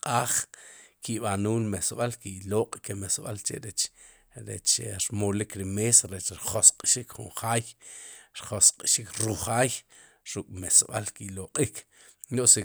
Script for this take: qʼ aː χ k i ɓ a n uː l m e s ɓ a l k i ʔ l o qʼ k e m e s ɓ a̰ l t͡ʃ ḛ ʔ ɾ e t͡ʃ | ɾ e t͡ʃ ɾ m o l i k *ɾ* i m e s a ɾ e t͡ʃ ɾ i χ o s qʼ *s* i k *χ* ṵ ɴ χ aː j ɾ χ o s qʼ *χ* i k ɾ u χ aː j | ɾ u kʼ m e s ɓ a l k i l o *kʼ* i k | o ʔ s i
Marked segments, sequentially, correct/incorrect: correct, incorrect, correct, incorrect, incorrect

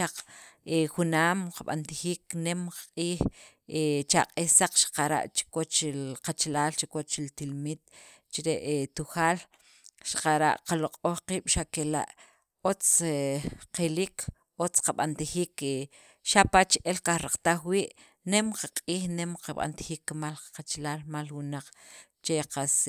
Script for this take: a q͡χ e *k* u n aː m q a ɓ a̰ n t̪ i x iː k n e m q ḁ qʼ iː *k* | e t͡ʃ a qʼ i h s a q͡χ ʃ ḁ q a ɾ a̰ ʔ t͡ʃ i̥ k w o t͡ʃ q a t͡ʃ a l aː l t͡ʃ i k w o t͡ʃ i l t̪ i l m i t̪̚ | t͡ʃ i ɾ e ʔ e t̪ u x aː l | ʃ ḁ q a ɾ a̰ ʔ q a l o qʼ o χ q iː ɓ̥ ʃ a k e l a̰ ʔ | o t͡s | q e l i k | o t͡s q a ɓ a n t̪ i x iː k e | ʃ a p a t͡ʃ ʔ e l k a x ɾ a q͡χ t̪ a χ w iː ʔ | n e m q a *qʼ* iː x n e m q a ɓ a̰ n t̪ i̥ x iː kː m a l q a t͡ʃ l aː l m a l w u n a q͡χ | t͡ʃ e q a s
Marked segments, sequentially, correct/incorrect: incorrect, incorrect, correct

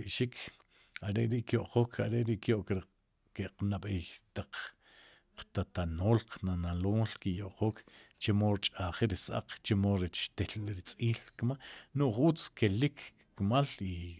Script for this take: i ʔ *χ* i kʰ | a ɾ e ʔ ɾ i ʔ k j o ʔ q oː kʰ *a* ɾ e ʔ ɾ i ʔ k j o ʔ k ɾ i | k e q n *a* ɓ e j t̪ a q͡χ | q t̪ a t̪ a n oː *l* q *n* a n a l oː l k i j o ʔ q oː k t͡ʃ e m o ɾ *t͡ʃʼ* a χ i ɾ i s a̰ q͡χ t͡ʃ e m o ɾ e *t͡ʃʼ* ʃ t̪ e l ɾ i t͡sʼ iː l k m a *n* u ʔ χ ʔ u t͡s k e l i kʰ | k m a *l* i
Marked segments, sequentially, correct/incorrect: incorrect, correct, correct, correct, correct, correct, incorrect, correct, correct

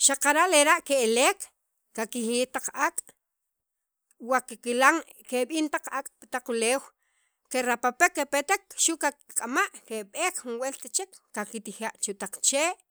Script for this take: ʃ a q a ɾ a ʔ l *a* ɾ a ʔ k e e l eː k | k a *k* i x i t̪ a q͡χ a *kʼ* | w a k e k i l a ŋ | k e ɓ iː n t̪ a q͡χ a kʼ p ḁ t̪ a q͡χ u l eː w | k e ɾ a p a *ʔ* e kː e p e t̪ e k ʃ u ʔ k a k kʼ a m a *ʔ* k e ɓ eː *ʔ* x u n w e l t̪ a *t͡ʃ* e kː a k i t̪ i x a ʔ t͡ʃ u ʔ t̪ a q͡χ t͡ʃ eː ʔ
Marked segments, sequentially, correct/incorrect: incorrect, correct, correct, incorrect, correct, incorrect, correct

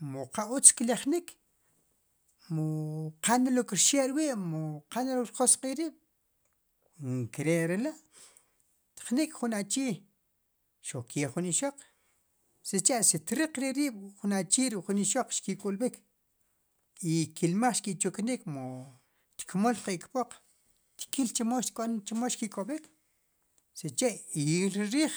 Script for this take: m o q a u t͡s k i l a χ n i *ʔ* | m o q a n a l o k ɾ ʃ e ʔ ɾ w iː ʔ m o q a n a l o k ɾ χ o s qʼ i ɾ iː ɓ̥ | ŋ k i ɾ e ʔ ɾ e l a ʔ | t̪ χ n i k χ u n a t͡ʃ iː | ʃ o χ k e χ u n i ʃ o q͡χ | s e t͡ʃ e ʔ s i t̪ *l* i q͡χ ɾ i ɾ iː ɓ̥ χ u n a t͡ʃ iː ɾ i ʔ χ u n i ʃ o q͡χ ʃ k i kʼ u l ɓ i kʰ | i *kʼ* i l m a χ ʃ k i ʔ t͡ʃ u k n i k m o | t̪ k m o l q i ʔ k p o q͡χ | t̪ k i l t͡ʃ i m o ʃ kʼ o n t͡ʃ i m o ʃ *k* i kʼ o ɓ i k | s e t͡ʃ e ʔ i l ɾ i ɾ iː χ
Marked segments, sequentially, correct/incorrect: incorrect, incorrect, incorrect, correct

